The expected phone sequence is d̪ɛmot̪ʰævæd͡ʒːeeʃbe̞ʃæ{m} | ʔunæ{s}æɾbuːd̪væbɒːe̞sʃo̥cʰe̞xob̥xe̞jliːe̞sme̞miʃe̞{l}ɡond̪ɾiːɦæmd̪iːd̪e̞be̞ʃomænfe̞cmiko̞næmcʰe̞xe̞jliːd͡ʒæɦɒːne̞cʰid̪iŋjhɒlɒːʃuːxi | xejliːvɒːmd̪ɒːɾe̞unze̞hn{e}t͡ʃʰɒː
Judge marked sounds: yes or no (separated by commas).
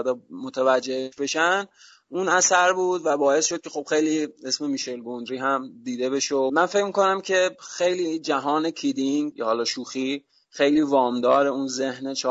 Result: no, yes, yes, yes